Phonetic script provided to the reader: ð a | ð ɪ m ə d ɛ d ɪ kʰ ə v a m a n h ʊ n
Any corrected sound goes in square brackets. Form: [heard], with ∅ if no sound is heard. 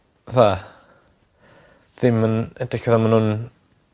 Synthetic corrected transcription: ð a | ð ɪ m ə [n] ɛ d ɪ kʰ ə [ð] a m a n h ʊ n

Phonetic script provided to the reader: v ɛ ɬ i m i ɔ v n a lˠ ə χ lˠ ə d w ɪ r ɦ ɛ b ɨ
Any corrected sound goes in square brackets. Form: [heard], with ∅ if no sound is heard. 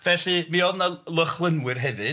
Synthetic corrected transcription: v ɛ ɬ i m i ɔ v n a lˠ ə χ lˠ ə [n] w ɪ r ɦ ɛ [v] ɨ

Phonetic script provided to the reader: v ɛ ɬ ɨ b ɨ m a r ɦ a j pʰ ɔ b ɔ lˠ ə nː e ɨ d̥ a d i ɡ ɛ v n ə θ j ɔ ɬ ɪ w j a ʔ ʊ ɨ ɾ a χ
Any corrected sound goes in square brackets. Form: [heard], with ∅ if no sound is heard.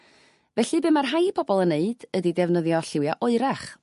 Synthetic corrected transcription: v ɛ ɬ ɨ b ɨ m a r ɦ a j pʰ ɔ b ɔ lˠ ə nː e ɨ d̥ [ə] d i [d] ɛ v n ə [ð] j ɔ ɬ ɪ w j a ʔ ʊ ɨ ɾ a χ

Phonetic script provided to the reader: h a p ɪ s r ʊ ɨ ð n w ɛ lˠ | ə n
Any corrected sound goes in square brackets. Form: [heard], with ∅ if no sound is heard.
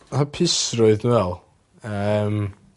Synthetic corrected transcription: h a [pʰ] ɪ s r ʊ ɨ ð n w ɛ lˠ | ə [m]

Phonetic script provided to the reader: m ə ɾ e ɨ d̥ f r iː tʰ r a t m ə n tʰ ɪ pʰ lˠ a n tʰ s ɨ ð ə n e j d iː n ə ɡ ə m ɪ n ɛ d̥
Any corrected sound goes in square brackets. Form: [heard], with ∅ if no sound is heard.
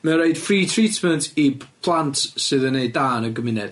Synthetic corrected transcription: m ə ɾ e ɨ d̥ f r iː tʰ r [i] t m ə n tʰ [i] pʰ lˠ a n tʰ s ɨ ð ə n e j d [aː] n ə ɡ ə m ɪ n ɛ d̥

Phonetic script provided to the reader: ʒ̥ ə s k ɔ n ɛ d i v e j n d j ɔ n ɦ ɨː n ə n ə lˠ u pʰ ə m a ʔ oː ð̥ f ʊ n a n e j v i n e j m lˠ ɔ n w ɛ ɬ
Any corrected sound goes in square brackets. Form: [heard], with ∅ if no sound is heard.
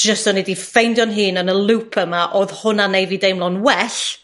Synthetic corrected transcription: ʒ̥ ə s [t] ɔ n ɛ d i [f] e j n d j ɔ n ɦ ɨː n ə n ə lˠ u pʰ ə m a ʔ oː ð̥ [h] ʊ n a n e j v i [d] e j m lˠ ɔ n w ɛ ɬ

